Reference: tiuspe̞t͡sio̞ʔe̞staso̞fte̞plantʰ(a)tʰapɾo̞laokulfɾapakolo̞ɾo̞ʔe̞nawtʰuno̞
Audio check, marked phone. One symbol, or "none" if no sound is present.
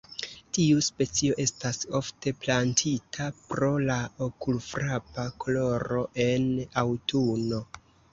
i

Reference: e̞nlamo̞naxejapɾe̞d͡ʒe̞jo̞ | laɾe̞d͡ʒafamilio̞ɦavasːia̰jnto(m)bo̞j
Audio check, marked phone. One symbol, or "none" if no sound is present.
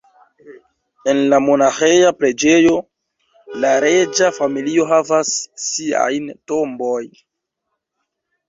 m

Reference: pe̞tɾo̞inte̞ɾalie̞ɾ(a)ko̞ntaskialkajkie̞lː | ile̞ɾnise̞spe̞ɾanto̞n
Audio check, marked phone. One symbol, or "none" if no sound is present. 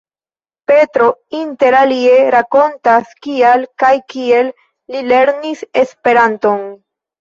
a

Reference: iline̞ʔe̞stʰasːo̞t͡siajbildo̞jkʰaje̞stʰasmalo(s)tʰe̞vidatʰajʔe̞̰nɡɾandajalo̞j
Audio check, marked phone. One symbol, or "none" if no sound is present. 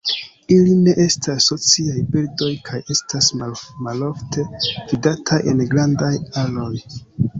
f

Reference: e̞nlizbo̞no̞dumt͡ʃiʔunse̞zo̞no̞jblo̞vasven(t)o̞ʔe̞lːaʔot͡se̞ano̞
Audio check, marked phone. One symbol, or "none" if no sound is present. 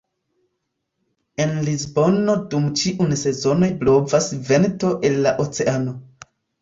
t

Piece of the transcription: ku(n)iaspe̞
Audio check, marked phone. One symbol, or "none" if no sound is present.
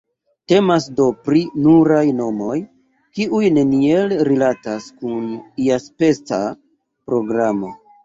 n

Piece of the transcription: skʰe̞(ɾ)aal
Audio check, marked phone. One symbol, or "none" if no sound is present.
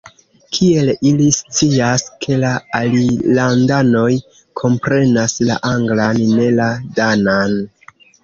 l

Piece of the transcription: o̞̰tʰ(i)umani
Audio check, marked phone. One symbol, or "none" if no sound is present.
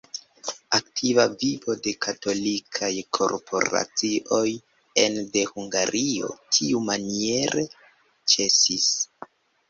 i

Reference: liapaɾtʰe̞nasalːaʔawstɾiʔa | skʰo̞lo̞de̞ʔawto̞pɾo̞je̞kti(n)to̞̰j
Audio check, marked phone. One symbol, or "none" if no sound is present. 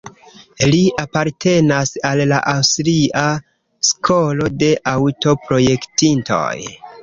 n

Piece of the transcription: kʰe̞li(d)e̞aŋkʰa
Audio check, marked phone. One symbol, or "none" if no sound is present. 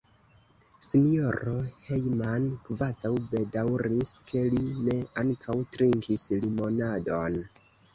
n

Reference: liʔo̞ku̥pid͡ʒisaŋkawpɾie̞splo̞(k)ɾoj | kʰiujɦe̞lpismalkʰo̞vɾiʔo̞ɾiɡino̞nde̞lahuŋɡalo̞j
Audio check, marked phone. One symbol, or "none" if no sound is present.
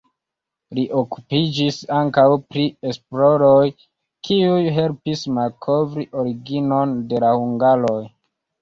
none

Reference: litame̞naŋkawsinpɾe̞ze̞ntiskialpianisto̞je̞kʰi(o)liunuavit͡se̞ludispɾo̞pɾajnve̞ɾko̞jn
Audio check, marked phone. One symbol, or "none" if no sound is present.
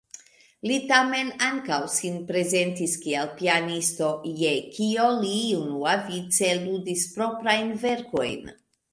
o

